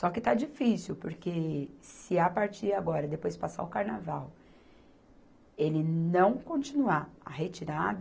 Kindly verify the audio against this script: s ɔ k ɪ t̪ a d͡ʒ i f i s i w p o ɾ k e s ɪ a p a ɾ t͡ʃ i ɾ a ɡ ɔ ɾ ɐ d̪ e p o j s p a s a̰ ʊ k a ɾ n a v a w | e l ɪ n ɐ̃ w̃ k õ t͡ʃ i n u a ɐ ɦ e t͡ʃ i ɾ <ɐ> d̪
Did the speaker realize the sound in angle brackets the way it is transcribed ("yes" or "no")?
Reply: no